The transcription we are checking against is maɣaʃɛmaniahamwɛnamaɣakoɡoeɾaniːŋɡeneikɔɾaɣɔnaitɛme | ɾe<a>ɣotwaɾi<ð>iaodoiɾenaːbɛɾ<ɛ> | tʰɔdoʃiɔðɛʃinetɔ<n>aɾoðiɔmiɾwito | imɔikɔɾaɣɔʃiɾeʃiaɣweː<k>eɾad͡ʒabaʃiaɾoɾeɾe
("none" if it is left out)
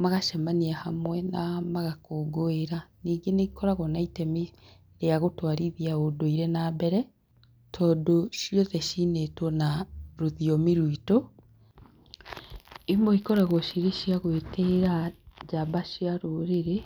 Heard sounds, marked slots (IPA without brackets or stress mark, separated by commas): a, ð, ɛ, n, t